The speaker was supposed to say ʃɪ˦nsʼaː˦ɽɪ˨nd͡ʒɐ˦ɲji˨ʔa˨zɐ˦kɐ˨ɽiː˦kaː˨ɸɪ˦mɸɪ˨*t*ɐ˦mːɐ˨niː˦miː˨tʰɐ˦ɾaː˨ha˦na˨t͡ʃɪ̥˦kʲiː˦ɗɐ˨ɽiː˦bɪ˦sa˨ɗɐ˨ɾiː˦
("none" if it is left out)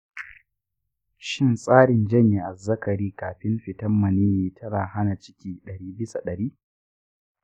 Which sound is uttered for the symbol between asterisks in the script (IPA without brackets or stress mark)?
t